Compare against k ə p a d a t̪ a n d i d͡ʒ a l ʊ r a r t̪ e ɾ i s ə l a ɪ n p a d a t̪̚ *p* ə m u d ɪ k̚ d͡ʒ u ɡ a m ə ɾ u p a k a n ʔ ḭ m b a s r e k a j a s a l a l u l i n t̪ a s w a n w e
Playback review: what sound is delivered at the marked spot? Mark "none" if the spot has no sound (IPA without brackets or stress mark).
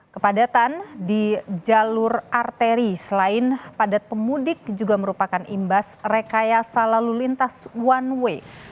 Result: p